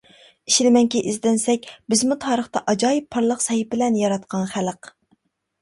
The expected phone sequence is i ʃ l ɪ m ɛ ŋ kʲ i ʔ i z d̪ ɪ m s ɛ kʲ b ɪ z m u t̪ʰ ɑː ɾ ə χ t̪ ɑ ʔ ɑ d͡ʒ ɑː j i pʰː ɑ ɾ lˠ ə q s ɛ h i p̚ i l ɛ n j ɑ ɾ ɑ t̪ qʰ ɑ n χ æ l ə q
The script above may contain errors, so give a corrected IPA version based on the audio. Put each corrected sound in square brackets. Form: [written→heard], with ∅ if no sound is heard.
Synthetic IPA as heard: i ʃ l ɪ m ɛ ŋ kʲ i ʔ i z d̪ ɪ [m→n] s ɛ kʲ b ɪ z m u t̪ʰ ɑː ɾ ə χ t̪ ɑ ʔ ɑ d͡ʒ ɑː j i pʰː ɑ ɾ lˠ ə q s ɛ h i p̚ [i→ɪ] l ɛ n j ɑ ɾ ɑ t̪ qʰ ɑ n χ æ l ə q